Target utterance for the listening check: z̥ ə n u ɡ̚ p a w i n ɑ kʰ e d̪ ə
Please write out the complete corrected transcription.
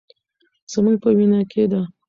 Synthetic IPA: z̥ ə m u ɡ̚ p ə w i n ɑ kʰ e d̪ a

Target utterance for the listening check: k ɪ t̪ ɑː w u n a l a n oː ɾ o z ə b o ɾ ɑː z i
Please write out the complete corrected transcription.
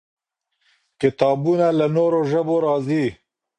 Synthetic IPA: k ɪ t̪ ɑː b u n a l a n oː ɾ o ʒ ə b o ɾ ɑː z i

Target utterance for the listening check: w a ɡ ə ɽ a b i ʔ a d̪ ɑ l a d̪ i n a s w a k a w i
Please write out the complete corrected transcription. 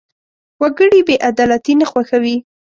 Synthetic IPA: w a ɡ ə ɽ i b e ʔ a d̪ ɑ l a t̪ i n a x w a x a w i

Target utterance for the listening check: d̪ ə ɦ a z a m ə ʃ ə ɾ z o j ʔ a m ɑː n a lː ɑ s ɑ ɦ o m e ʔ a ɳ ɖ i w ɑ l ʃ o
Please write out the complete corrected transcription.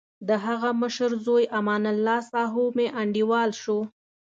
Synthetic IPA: d̪ ə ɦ a ɣ a m ə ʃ ə ɾ z o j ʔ a m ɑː n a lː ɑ s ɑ ɦ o m e ʔ a ɳ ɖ i w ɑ l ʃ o

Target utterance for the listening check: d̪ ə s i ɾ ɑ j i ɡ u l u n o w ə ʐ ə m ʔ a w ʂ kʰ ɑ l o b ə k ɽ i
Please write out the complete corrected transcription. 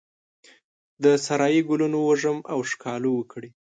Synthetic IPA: d̪ ə s a ɾ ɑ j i ɡ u l u n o w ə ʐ ə m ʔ a w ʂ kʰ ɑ l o w ə k ɽ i

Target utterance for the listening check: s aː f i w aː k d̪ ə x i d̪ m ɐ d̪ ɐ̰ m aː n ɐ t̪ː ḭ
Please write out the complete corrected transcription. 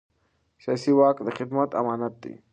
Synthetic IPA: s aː s i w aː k d̪ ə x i d̪ m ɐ t̪ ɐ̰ m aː n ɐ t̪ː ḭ

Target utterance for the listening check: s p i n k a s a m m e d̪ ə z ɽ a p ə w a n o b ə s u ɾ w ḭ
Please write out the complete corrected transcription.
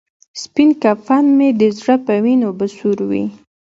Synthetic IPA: s p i n k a f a n m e d̪ ə z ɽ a p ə w i n o b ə s u ɾ w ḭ

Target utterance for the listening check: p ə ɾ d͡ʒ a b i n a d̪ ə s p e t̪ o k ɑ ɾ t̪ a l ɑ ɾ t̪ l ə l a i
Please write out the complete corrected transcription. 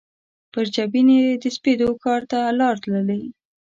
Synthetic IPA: p ə ɾ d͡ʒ a b i n e d̪ ə s p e d̪ o k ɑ ɾ t̪ a l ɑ ɾ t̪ l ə l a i

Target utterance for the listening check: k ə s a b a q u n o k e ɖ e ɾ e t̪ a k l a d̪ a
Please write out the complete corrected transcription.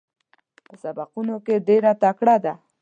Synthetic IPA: p ə s a b a q u n o k e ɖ e ɾ a t̪ a k ɽ a d̪ a

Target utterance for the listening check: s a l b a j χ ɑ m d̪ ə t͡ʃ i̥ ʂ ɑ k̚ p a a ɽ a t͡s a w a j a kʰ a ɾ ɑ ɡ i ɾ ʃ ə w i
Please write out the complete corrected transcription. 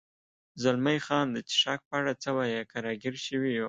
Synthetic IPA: z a l m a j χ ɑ n d̪ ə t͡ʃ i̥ ʂ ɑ k̚ p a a ɽ a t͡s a w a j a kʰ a ɾ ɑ ɡ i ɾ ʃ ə w i

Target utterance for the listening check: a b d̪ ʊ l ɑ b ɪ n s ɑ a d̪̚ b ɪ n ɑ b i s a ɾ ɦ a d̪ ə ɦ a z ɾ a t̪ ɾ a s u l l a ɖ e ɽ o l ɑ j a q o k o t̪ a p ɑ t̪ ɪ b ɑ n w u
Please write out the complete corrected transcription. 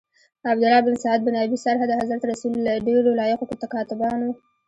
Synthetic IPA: a b d̪ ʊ l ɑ b ɪ n s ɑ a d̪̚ b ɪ n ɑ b i s a ɾ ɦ a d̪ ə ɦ a z ɾ a t̪ ɾ a s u l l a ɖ e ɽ o l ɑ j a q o k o t̪ a k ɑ t̪ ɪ b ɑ n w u

